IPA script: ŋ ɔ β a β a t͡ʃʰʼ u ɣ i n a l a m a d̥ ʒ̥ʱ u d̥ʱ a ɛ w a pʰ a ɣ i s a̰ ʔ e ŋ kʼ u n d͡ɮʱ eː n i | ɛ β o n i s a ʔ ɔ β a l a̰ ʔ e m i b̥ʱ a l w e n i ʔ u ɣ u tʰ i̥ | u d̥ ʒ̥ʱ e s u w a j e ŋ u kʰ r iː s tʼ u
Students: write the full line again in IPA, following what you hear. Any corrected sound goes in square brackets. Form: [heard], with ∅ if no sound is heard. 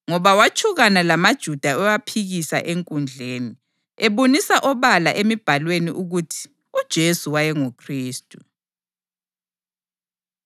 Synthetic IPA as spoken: ŋ ɔ β a [w] a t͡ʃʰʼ u ɣ [a] n a l a m a d̥ ʒ̥ʱ u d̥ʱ a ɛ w a pʰ [i] ɣ i s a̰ ʔ e ŋ kʼ u n d͡ɮʱ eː n i | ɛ β o n i s a ʔ ɔ β a l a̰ ʔ e m i b̥ʱ a l w e n i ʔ u ɣ u tʰ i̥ | u d̥ ʒ̥ʱ e s u w a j [ɛ] ŋ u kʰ r iː s tʼ u